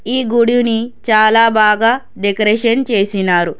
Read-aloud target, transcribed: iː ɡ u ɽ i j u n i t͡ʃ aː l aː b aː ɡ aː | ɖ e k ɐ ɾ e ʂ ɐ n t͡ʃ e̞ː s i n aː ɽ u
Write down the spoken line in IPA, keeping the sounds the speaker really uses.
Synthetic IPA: iː ɡ u ɽ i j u n i t͡ʃ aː l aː b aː ɡ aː | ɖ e k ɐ ɾ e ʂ ɐ n t͡ʃ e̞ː s i n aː ɾ u